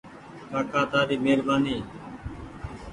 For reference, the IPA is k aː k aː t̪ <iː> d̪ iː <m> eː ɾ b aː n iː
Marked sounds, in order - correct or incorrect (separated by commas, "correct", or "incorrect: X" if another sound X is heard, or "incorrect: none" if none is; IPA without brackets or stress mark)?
incorrect: aː, correct